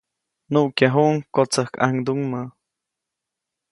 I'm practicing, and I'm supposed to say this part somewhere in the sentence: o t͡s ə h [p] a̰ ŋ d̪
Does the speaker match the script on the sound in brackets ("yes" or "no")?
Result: no